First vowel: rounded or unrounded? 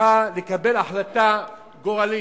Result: unrounded